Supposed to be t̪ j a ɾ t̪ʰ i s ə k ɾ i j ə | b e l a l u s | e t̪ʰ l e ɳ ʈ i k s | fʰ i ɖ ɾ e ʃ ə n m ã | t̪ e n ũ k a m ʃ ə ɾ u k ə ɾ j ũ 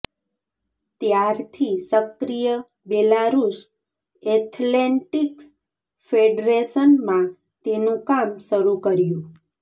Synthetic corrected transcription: t̪ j a ɾ t̪ʰ i s ə k ɾ i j ə | b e l a ɾ u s | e t̪ʰ l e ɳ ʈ i k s | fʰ e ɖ ɾ e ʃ ə n m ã | t̪ e n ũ k a m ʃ ə ɾ u k ə ɾ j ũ

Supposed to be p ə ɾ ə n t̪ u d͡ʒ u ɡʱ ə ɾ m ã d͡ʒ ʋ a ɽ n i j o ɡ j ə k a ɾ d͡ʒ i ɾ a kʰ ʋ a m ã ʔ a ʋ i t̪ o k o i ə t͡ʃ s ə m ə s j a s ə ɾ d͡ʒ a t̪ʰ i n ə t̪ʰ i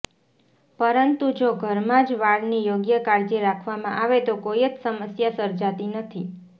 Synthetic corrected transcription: p ə ɾ ə n t̪ u d͡ʒ o ɡʱ ə ɾ m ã d͡ʒ ʋ a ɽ n i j o ɡ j ə k a ɾ d͡ʒ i ɾ a kʰ ʋ a m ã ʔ a ʋ e t̪ o k o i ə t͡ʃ s ə m ə s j a s ə ɾ d͡ʒ a t̪ i n ə t̪ʰ i

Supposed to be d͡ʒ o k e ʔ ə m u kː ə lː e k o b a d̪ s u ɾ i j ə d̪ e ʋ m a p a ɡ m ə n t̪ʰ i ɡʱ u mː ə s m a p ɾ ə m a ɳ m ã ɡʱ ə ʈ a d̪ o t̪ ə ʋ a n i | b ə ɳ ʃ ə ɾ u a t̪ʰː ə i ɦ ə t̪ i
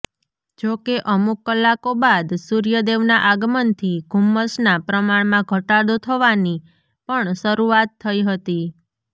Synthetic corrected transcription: d͡ʒ o k e ʔ ə m u kː ə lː a k o b a d̪ s u ɾ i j ə d̪ e ʋ n a ʔ a ɡ m ə n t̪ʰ i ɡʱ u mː ə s n a p ɾ ə m a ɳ m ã ɡʱ ə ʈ a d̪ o t̪ʰ ə ʋ a n i | p ə ɳ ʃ ə ɾ u a t̪ʰː ə i ɦ ə t̪ i

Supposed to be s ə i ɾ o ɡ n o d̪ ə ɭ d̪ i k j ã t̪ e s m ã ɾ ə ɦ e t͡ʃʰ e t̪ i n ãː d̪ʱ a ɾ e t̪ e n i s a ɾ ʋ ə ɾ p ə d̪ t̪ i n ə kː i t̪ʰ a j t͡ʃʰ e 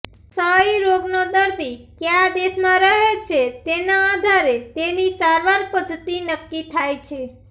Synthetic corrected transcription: s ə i ɾ o ɡ n o d̪ ə ɾ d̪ i k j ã d̪ e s m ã ɾ ə ɦ e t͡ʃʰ e t̪ e n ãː d̪ʱ a ɾ e t̪ e n i s a ɾ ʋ a ɾ p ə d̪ t̪ i n ə kː i t̪ʰ a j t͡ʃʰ e

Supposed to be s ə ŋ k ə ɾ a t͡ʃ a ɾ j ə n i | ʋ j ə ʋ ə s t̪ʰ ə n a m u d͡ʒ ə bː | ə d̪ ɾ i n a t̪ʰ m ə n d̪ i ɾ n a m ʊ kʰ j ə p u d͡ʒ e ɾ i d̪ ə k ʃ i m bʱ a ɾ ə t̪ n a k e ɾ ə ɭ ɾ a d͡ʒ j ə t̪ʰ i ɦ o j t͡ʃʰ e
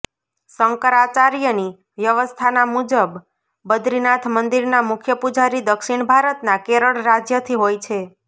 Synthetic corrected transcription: s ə ŋ k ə ɾ a t͡ʃ a ɾ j ə n i | ʋ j ə ʋ ə s t̪ʰ a n a m u d͡ʒ ə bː | ə d̪ ɾ i n a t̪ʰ m ə n d̪ i ɾ n a m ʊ kʰ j ə p u d͡ʒ a ɾ i d̪ ə k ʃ i ɳ bʱ a ɾ ə t̪ n a k e ɾ ə ɭ ɾ a d͡ʒ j ə t̪ʰ i ɦ o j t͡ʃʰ e

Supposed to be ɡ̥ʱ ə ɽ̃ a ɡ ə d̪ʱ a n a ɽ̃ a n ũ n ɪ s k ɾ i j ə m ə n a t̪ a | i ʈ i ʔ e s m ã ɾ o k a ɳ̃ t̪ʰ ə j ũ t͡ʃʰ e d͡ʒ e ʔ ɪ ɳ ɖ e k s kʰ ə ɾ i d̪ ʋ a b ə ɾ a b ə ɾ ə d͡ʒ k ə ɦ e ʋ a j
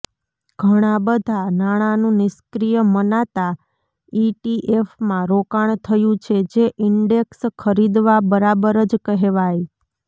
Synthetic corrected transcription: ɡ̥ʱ ə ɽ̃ a b ə d̪ʱ a n a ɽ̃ a n ũ n ɪ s k ɾ i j ə m ə n a t̪ a | i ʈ i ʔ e f m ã ɾ o k a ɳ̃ t̪ʰ ə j ũ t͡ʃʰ e d͡ʒ e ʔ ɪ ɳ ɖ e k s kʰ ə ɾ i d̪ ʋ a b ə ɾ a b ə ɾ ə d͡ʒ k ə ɦ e ʋ a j

